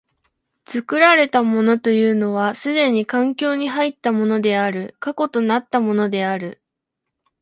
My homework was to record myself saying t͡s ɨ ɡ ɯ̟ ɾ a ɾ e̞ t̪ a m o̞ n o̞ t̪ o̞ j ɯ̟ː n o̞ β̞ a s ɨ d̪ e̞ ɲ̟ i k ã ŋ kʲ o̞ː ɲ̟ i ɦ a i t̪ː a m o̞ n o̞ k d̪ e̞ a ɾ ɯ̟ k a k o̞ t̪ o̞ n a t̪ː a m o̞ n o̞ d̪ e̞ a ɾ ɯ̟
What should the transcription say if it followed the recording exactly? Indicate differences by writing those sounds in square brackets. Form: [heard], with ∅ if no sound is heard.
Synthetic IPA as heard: t͡s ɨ [k] ɯ̟ ɾ a ɾ e̞ t̪ a m o̞ n o̞ t̪ o̞ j ɯ̟ː n o̞ β̞ a s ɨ d̪ e̞ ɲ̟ i k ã ŋ kʲ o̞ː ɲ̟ i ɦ a i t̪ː a m o̞ n o̞ [∅] d̪ e̞ a ɾ ɯ̟ k a k o̞ t̪ o̞ n a t̪ː a m o̞ n o̞ d̪ e̞ a ɾ ɯ̟